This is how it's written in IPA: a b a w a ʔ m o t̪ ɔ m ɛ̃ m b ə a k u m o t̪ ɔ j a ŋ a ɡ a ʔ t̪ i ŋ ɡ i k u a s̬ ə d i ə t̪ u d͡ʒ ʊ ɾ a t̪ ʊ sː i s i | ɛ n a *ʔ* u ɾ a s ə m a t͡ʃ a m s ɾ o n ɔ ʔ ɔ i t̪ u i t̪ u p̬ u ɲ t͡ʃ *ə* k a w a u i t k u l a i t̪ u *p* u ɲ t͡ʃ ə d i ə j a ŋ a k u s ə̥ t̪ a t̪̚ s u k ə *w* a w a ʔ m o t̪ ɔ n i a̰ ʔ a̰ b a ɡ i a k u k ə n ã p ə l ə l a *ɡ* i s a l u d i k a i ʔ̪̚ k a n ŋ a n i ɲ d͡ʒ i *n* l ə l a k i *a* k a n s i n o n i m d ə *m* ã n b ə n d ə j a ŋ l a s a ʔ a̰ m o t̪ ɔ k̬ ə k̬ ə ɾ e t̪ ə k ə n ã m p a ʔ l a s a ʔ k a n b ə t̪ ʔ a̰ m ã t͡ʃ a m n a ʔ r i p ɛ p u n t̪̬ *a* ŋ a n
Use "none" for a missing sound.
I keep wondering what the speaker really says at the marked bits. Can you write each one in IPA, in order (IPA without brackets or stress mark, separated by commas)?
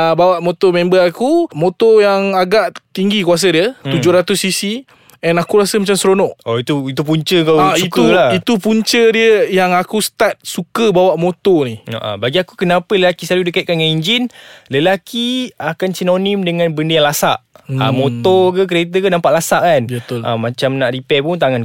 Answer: k, ə, p, b, k, n, a, ŋ, a